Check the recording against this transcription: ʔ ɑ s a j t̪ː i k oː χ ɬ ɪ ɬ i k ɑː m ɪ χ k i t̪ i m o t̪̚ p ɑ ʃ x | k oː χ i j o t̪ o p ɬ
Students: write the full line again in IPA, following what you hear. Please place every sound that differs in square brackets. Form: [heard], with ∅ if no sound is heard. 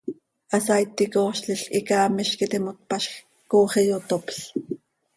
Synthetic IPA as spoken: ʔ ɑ s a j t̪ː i k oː [ʃ] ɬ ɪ ɬ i k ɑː m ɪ [ʃ] k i t̪ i m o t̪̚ p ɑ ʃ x | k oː χ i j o t̪ o p ɬ

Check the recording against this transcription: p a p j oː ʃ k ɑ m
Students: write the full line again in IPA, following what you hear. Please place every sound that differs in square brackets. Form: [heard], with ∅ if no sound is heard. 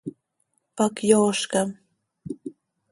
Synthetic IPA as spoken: p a [k] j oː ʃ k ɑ m

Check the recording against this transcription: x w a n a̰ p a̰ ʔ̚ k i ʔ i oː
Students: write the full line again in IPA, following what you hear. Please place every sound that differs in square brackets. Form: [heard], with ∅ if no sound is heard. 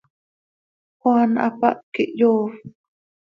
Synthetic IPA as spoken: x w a n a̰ p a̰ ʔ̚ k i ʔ [j] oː

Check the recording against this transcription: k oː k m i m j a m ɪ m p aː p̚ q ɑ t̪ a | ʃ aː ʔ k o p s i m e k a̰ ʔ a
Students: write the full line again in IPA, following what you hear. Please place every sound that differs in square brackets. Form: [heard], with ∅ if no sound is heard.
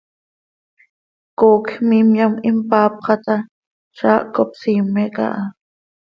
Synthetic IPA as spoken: k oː k m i m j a m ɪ m p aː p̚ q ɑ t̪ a | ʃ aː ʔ k o p s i m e k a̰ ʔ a

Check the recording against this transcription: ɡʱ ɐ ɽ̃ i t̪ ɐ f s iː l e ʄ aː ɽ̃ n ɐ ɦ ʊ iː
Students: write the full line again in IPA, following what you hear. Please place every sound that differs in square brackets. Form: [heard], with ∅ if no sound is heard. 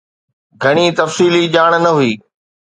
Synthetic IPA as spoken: ɡʱ ɐ ɽ̃ i t̪ ɐ f s iː l [i] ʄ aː ɽ̃ n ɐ ɦ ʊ iː

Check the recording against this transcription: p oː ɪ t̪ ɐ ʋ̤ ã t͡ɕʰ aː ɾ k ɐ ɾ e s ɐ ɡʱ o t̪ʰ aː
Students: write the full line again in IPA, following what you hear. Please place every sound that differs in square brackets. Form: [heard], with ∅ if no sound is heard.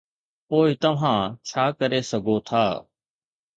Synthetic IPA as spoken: p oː ɪ t̪ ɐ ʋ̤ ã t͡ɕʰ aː [∅] k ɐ ɾ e s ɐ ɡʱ o t̪ʰ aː

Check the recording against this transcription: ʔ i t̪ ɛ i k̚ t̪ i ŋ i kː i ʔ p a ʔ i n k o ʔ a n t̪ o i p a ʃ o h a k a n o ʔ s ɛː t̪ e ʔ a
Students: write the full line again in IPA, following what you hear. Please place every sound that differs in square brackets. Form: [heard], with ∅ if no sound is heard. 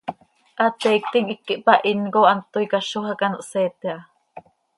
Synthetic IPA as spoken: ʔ [a] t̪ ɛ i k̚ t̪ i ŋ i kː i ʔ p a ʔ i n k o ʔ a n t̪ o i [k] a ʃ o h a k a n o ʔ s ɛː t̪ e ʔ a

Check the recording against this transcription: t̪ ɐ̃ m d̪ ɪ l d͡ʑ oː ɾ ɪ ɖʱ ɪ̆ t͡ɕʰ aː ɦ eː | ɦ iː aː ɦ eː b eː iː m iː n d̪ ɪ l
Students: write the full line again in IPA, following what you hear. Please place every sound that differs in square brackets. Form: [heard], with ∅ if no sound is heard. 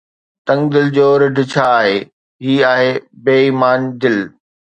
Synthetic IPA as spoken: t̪ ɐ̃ [ŋ] d̪ ɪ l d͡ʑ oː ɾ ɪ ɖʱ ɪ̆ t͡ɕʰ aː ɦ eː | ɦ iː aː ɦ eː b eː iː m [aː] n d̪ ɪ l

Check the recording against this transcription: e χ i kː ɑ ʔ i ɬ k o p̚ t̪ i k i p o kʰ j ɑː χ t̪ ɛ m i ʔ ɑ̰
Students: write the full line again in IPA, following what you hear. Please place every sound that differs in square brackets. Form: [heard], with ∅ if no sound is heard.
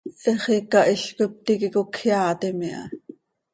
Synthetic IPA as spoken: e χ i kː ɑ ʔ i ɬ k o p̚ t̪ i k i [k] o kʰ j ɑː [∅] t̪ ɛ m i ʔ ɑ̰

